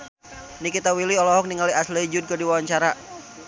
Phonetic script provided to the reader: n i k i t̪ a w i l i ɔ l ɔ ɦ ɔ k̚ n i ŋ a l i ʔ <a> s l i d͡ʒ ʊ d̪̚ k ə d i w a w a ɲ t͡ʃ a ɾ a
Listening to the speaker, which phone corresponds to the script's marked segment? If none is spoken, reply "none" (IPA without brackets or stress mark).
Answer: a